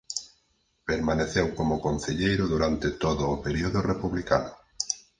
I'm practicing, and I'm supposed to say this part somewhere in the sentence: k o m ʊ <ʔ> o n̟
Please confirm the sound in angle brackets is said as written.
no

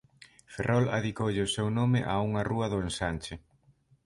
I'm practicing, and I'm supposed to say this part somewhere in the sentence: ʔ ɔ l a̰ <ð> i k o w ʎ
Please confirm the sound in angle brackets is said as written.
yes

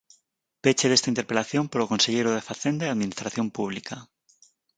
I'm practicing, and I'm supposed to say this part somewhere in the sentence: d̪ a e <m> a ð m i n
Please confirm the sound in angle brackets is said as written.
no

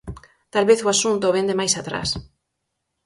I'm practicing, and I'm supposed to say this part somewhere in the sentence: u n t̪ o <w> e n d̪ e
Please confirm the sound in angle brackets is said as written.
no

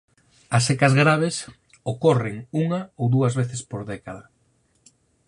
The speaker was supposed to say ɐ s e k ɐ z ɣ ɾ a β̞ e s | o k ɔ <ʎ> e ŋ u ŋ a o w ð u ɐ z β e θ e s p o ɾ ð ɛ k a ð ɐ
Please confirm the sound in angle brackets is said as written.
no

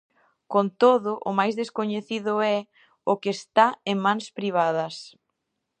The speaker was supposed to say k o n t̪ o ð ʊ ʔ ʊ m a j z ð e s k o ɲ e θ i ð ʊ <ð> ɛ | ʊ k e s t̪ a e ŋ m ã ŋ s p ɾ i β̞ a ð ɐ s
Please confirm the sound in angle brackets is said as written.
no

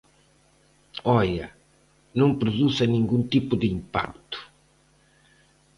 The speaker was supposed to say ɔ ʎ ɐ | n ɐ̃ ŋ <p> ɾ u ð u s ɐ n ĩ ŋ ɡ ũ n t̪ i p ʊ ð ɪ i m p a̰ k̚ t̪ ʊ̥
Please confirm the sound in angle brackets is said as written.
yes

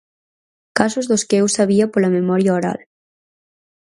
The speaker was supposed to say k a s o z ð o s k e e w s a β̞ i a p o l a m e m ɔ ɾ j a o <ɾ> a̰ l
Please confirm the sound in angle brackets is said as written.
yes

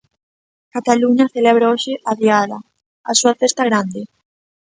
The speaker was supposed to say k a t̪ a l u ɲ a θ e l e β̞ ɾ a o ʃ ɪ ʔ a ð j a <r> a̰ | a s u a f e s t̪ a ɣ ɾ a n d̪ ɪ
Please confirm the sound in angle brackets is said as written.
no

